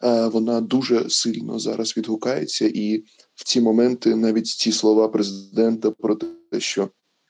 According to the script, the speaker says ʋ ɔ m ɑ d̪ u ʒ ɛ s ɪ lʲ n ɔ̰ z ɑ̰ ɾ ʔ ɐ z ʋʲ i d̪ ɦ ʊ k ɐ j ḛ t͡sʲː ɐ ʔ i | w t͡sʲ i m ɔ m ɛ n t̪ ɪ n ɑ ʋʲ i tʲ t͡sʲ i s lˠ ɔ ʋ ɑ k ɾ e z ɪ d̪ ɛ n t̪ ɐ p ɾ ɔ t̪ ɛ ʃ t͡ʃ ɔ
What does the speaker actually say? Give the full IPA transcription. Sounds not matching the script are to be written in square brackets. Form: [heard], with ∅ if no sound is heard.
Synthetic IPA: ʋ ɔ [n] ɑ d̪ u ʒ ɛ s ɪ lʲ n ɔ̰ z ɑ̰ ɾ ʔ ɐ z ʋʲ i d̪ ɦ ʊ k [ɑ] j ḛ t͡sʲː ɐ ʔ i | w t͡sʲ i m ɔ m ɛ n t̪ ɪ n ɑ ʋʲ i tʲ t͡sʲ i s lˠ ɔ ʋ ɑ [p] ɾ e z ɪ d̪ ɛ n t̪ ɐ p ɾ ɔ t̪ ɛ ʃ t͡ʃ ɔ